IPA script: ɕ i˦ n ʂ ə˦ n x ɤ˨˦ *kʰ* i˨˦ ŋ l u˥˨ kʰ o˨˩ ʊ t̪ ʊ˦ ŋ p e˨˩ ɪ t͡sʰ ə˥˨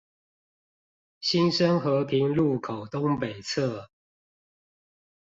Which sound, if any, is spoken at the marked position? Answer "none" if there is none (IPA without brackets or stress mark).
pʰ